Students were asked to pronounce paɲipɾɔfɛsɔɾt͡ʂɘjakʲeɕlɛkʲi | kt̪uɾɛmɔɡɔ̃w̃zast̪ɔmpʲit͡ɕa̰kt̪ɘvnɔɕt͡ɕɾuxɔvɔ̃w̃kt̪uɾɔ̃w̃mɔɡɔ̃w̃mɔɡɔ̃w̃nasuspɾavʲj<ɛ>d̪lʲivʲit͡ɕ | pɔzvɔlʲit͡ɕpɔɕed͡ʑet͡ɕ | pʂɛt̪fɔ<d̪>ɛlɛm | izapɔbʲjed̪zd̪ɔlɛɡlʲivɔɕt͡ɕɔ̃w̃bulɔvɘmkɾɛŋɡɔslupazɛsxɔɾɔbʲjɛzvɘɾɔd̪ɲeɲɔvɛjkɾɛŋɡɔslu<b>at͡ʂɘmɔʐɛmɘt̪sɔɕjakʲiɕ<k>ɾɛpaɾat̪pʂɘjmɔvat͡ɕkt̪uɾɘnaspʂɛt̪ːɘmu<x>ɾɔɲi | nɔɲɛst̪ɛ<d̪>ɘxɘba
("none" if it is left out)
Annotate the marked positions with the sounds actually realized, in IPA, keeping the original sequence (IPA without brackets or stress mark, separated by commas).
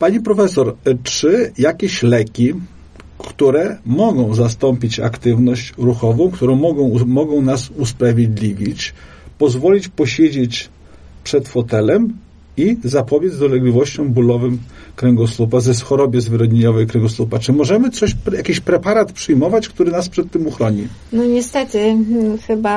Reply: e, t̪, p, p, x, t̪